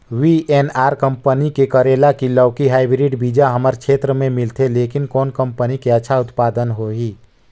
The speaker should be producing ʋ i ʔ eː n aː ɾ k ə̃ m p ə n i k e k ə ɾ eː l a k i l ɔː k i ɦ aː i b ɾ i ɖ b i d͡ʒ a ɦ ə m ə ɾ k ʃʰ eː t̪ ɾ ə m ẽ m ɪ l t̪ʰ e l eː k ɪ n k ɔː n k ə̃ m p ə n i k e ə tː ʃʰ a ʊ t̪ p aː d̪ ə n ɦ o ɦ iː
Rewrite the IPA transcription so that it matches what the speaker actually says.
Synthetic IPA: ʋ i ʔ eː n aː ɾ k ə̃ m p ə n i k e k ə ɾ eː l a k i l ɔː k i ɦ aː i b ɾ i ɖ b i d͡ʒ a ɦ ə m ə ɾ k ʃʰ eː t̪ ɾ ə m ẽ m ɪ l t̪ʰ e l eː k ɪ n k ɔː n k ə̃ m p ə n i k e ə tː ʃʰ a ʊ t̪ p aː d̪ ə n ɦ o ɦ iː